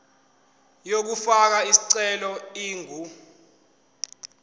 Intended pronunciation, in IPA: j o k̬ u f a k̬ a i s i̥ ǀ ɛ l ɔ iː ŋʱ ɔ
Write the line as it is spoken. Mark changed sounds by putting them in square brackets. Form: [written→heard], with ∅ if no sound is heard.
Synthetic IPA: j o k̬ u f a k̬ a i s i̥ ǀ ɛ l ɔ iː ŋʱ [ɔ→u]